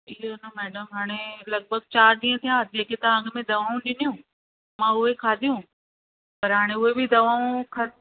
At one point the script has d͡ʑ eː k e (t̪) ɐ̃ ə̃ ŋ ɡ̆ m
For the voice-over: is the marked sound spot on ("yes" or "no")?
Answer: yes